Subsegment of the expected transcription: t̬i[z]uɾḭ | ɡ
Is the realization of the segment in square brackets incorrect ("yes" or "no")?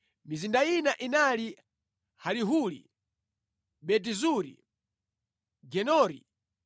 no